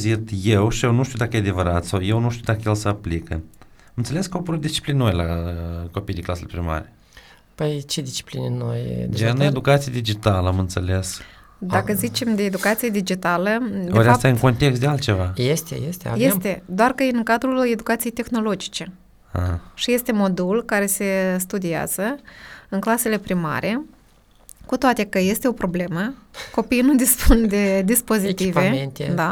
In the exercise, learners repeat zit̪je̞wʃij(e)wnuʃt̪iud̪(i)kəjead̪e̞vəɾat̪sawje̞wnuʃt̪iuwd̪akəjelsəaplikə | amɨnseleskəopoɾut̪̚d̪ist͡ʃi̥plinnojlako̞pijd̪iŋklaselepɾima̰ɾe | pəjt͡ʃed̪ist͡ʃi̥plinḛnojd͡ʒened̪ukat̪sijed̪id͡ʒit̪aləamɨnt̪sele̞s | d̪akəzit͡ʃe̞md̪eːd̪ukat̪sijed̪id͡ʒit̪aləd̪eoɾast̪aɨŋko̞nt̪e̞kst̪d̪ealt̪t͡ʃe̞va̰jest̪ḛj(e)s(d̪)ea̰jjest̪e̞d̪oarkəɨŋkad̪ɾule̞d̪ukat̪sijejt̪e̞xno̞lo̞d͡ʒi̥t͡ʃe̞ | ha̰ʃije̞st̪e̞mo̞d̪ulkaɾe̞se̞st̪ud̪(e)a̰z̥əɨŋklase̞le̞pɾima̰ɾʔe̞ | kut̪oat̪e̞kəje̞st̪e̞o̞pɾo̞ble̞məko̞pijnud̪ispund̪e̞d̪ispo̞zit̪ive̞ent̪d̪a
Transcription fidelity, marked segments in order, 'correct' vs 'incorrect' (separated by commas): correct, incorrect, correct, incorrect, incorrect